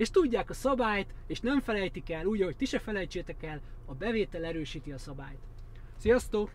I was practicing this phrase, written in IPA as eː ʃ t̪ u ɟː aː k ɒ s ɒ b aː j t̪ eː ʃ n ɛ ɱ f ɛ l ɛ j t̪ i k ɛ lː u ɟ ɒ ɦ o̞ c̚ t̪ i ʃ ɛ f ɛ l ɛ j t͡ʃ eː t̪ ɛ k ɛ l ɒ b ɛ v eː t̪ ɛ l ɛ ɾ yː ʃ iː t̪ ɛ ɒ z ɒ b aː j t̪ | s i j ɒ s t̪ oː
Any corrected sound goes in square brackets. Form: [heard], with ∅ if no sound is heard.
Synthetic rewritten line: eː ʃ t̪ u ɟː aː k ɒ s ɒ b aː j t̪ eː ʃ n ɛ ɱ f ɛ l ɛ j t̪ i k ɛ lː [uː] ɟ ɒ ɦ o̞ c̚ t̪ i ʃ ɛ f ɛ l ɛ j t͡ʃ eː t̪ ɛ k ɛ l ɒ b ɛ v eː t̪ ɛ l ɛ ɾ [øː] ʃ iː t̪ [i] ɒ [s] ɒ b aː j t̪ | s i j ɒ s t̪ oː